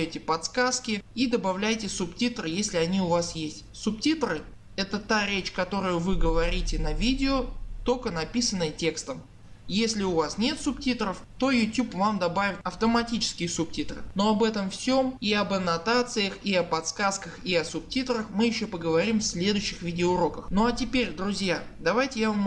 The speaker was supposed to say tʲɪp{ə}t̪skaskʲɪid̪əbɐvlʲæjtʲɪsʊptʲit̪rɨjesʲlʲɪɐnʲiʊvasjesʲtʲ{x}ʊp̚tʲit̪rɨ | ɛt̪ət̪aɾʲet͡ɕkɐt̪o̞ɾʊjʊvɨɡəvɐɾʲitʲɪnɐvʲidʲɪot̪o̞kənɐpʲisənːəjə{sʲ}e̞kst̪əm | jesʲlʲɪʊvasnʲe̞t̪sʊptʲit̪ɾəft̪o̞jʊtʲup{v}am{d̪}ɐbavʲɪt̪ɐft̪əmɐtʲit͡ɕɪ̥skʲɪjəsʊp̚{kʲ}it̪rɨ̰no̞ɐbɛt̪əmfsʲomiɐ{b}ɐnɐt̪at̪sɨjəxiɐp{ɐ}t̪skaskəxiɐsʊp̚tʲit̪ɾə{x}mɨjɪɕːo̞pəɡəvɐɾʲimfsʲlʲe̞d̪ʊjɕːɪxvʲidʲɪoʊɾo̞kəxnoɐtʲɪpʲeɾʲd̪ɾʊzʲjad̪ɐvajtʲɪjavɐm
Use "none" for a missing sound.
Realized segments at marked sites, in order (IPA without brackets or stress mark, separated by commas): ɐ, s, tʲ, v, d̪, tʲ, b, ɐ, x